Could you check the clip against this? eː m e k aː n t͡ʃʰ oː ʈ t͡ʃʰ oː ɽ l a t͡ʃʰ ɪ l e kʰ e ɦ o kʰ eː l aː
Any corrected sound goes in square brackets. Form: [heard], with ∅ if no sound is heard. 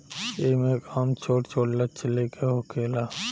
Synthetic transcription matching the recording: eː m e k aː [m] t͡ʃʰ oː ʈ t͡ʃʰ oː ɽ l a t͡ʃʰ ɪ l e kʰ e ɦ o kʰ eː l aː